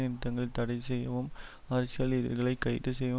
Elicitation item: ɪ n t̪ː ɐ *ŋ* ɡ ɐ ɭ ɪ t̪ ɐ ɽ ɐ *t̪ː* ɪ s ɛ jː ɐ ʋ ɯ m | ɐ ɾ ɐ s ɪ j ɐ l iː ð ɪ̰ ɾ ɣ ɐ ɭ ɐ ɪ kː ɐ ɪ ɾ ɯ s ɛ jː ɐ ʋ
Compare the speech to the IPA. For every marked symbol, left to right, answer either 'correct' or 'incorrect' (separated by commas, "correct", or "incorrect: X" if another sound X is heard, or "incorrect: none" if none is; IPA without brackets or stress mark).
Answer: correct, incorrect: none